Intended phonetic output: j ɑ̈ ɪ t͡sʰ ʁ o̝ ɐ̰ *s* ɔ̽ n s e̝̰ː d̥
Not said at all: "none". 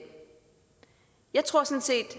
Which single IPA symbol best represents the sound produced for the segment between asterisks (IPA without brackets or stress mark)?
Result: s